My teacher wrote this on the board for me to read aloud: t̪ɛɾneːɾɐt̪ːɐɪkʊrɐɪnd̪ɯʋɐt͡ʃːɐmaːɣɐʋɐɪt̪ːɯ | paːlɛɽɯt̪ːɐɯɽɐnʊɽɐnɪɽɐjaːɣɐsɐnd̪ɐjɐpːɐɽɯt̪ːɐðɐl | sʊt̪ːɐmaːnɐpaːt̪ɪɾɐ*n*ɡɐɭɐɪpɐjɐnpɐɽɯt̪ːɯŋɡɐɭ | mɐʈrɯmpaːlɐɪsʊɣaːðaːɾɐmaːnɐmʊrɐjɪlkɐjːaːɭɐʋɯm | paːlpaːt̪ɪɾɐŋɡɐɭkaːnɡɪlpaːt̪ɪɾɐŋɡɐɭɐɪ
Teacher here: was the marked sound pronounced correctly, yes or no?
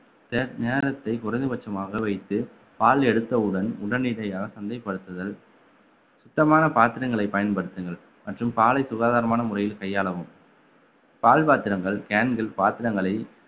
no